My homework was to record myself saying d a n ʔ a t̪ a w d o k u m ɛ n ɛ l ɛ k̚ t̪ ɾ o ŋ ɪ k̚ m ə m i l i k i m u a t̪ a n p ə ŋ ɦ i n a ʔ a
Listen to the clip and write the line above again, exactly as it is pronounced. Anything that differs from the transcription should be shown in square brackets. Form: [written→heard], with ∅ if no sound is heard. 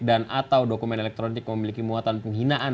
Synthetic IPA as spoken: d a n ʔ a t̪ a w d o k u m ɛ n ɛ l ɛ k̚ t̪ ɾ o [ŋ→n] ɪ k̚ m ə m i l i k i m u a t̪ a n p ə ŋ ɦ i n a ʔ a

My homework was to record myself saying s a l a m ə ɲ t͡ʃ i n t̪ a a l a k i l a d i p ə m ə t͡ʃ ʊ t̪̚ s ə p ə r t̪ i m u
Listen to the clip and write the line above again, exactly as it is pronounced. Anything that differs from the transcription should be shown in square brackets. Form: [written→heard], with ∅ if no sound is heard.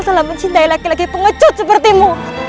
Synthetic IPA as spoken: s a l a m ə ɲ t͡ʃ i n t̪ a [a→i] l a k i l a [d→ɡ] i p ə [m→ŋ] ə t͡ʃ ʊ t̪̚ s ə p ə r t̪ i m u

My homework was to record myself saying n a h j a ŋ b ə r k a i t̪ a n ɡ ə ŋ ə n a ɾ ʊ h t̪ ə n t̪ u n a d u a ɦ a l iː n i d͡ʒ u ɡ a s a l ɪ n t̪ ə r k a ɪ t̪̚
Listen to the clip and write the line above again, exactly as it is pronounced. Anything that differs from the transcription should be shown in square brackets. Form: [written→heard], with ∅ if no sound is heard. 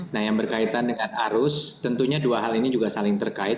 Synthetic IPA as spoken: n a h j a ŋ b ə r k a i t̪ a n [ɡ→d] ə ŋ [ə→a] n a ɾ ʊ [h→s] t̪ ə n t̪ u [n→ɲ] a d u a ɦ a l [iː→i] n i d͡ʒ u ɡ a s a l ɪ [n→ŋ] t̪ ə r k a ɪ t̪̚

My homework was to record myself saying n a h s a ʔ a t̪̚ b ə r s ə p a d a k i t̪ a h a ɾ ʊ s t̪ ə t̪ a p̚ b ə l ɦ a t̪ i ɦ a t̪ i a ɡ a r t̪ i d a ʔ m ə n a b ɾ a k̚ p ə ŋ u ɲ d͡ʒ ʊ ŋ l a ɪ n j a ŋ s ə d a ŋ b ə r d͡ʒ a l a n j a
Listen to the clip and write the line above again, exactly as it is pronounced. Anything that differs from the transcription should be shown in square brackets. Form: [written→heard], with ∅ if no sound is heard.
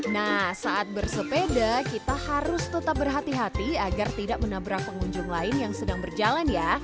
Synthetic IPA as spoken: n a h s a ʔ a t̪̚ b ə r s ə p [a→e] d a k i t̪ a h a ɾ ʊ s t̪ ə t̪ a p̚ b ə [l→r] ɦ a t̪ i ɦ a t̪ i a ɡ a r t̪ i d a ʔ m ə n a b ɾ a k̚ p ə ŋ u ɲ d͡ʒ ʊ ŋ l a ɪ n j a ŋ s ə d a ŋ b ə r d͡ʒ a l a n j a

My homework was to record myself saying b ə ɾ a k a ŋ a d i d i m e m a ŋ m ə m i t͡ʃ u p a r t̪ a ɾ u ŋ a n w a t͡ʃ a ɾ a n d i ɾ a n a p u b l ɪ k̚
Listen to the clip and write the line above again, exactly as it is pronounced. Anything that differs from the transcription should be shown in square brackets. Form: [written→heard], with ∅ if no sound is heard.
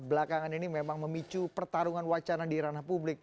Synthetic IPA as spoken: b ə [ɾ→l] a k a ŋ a [d→n] i [d→n] i m e m a ŋ m ə m i t͡ʃ u p [a→ə] r t̪ a ɾ u ŋ a n w a t͡ʃ a ɾ a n d i ɾ a n a p u b l ɪ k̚

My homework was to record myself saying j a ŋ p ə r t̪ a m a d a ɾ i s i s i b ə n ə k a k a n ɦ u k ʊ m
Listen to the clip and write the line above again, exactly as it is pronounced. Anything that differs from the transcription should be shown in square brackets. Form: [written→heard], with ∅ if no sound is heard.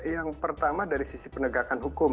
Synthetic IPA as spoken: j a ŋ p ə r t̪ a m a d a ɾ i s i s i [b→p] ə n ə [k→ɡ] a k a n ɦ u k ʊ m

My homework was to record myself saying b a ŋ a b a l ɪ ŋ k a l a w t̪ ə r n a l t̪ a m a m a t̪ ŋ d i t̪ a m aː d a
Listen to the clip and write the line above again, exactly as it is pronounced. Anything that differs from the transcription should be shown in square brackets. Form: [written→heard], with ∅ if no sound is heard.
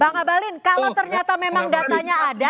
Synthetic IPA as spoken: b a ŋ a b a l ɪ [ŋ→n] k a l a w t̪ ə r [n→ɲ] a [l→∅] t̪ a m [a→e] m a [t̪→∅] ŋ d [i→a] t̪ a [m→ɲ] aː d a

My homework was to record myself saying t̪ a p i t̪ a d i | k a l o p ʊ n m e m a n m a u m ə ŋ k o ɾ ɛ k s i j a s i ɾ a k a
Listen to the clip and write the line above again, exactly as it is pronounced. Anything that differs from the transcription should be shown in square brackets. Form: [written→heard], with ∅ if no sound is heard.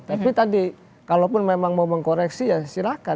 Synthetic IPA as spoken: t̪ a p i t̪ a d i | k a l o p ʊ n m e m a [n→ŋ] m a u m ə ŋ k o ɾ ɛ k s i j a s i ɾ a k a

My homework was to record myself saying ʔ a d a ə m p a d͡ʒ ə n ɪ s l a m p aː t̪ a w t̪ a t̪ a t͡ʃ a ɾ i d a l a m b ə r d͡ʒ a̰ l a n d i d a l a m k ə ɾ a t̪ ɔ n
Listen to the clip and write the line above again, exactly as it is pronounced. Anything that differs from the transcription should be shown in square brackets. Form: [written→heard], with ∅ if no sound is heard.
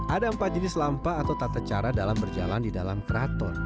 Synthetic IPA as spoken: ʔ a d a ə m p a d͡ʒ ə n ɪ s l a m p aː t̪ a w t̪ a t̪ a t͡ʃ a ɾ [i→a] d a l a m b ə r d͡ʒ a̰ l a n d i d a l a m k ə ɾ a t̪ ɔ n

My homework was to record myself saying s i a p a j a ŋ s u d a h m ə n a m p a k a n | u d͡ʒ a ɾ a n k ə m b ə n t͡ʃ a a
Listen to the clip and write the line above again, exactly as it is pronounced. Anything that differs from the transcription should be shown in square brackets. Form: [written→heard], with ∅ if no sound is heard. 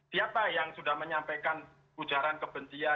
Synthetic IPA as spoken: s i a p a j a ŋ s u d a h m ə [n→ɲ] a m p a k a n | u d͡ʒ a ɾ a n k ə [m→∅] b ə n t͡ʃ [a→i] a

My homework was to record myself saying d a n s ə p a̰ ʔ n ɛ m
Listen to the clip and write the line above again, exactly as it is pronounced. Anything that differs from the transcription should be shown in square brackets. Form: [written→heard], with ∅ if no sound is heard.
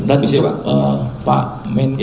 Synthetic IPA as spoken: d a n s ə p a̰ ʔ [n→m] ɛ [m→n]

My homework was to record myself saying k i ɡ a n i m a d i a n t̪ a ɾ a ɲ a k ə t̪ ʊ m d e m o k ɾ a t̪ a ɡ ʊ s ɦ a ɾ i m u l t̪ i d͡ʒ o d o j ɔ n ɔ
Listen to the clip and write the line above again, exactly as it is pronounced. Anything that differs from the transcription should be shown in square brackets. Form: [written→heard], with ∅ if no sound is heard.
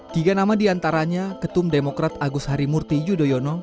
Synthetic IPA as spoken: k i ɡ a n [i→a] m a d i a n t̪ a ɾ a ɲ a k ə t̪ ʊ m d e m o k ɾ a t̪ a ɡ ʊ s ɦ a ɾ i m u [l→r] t̪ i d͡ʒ [o→u] d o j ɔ n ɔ

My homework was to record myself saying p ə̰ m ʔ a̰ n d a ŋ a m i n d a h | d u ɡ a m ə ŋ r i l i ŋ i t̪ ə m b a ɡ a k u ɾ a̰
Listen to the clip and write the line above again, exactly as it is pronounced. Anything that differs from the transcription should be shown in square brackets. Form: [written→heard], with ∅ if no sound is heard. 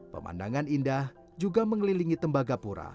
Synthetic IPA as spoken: p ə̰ m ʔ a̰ n d a ŋ a [m→n] i n d a h | [d→d͡ʒ] u ɡ a m ə ŋ [r→l] i l i ŋ i t̪ ə m b a ɡ a [k→p] u ɾ a̰

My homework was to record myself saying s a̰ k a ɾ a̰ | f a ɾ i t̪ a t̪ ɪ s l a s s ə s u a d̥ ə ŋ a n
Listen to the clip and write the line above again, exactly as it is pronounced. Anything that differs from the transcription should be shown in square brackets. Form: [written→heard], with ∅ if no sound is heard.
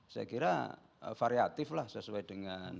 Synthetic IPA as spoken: s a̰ k [a→i] ɾ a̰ | f a ɾ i [t̪→∅] a t̪ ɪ [s→f] l a [s→h] s ə s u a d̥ ə ŋ a n

